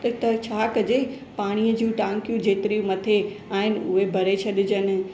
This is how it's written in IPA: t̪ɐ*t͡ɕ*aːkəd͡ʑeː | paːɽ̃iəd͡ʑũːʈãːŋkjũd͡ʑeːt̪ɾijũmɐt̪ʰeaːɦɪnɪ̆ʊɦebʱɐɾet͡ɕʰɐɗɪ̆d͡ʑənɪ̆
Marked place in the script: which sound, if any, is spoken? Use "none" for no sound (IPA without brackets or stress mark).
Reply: t͡ɕʰ